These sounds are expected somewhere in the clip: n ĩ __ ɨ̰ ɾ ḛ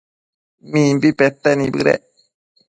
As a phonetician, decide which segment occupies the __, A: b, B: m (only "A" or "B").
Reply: A